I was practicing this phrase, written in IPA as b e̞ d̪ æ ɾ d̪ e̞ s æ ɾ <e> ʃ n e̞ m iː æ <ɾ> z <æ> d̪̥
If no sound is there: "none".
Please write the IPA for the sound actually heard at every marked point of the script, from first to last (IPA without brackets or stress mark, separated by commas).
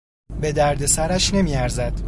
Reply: æ, ɾ, æ